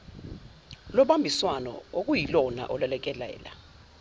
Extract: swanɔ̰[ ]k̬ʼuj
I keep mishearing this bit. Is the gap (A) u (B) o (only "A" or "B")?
B